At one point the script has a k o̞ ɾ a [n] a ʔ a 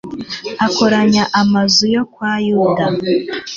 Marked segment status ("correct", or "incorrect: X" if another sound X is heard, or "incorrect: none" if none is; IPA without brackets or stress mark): incorrect: ɲ